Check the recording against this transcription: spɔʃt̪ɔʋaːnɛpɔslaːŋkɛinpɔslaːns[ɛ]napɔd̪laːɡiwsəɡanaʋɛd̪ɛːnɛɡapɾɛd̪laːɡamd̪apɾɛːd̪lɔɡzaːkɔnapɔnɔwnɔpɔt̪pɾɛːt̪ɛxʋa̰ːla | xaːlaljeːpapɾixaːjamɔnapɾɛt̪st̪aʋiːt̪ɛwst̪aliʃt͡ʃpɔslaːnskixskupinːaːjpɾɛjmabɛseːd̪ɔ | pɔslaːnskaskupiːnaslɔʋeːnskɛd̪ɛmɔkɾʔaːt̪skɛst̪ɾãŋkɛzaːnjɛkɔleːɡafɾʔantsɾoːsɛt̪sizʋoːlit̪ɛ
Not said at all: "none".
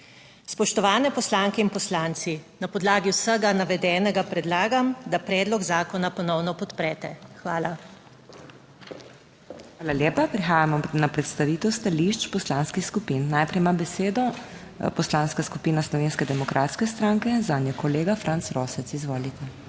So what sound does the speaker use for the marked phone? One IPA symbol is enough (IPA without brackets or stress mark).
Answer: i